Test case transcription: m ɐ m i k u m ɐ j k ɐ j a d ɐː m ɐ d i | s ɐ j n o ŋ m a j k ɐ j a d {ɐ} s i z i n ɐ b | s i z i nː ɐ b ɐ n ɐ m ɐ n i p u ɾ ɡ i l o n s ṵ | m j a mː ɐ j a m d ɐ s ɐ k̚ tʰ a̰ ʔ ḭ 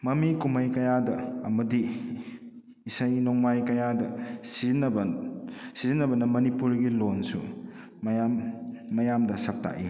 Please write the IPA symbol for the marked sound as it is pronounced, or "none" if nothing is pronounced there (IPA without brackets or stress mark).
ɐ